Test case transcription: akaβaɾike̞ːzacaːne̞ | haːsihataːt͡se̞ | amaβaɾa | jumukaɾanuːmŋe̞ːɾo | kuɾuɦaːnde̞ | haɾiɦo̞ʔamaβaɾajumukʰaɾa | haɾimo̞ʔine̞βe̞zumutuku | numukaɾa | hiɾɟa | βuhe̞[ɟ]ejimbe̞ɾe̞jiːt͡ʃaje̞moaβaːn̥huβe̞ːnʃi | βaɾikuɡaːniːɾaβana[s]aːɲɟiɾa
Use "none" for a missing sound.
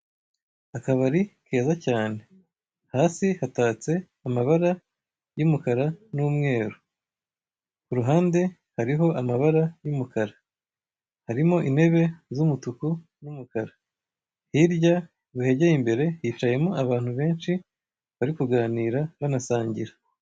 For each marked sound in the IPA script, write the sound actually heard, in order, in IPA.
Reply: ɟ, s

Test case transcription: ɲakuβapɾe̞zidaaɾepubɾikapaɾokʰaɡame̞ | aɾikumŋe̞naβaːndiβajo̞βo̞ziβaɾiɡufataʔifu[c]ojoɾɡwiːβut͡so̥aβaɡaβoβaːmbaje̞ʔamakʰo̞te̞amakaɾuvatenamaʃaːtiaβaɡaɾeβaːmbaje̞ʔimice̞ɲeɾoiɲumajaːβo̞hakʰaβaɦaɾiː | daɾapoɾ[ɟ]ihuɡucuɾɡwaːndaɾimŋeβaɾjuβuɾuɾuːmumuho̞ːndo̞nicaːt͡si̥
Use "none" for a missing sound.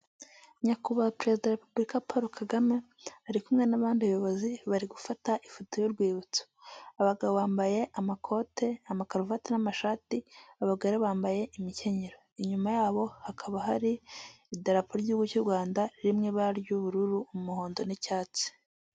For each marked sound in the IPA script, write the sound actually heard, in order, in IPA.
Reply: t, ɟ

